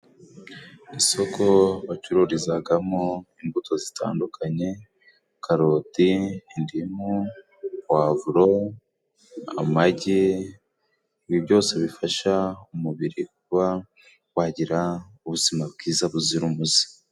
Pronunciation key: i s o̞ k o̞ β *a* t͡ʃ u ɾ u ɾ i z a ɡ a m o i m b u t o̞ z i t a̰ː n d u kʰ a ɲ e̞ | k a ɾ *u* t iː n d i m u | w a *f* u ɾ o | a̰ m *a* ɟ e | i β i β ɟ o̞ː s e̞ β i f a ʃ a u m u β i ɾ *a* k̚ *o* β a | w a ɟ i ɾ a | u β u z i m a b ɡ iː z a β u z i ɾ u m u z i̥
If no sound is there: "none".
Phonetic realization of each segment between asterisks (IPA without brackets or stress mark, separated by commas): a, o, v, a, i, u